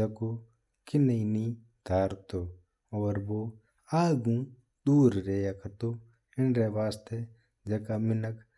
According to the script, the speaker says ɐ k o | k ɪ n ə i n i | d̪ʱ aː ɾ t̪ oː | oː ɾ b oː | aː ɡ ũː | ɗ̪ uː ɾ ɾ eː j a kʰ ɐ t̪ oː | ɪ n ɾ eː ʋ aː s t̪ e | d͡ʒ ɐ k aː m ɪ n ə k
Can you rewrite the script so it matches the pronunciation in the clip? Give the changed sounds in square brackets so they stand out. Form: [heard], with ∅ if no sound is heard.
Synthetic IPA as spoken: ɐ k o | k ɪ n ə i n i | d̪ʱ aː ɾ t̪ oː | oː ɾ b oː | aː ɡ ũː | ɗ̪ uː ɾ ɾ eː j a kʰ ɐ t̪ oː | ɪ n ɾ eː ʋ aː s t̪ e | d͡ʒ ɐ k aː m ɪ n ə k